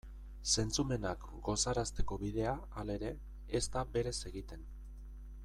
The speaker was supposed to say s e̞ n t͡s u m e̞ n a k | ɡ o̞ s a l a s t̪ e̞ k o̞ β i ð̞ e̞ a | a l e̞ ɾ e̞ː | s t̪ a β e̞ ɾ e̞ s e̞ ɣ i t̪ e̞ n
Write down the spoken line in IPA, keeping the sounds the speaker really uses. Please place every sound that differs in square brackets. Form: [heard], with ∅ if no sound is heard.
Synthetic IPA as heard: s e̞ n t͡s u m e̞ n a k | ɡ o̞ s a [ɾ] a s t̪ e̞ k o̞ β i ð̞ e̞ a | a l e̞ ɾ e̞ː | s t̪ a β e̞ ɾ e̞ s e̞ ɣ i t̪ e̞ n